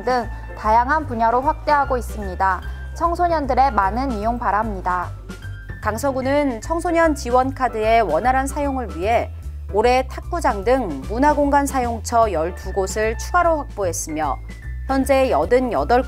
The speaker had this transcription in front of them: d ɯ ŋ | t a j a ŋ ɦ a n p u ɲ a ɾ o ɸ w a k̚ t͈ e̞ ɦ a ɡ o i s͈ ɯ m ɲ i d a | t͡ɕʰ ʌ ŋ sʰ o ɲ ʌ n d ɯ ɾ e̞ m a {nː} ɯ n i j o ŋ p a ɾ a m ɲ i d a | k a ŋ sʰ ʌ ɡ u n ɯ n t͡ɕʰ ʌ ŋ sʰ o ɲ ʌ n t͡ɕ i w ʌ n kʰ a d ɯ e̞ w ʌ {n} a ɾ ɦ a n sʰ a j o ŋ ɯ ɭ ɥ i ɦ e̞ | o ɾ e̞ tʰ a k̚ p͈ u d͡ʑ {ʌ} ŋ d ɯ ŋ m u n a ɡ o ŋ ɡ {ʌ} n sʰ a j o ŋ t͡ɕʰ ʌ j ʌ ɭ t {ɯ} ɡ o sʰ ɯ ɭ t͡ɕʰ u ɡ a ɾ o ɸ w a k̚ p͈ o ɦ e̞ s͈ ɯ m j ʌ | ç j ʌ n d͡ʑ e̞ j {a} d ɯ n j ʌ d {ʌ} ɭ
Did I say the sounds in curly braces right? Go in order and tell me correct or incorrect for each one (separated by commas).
incorrect, correct, incorrect, incorrect, incorrect, incorrect, correct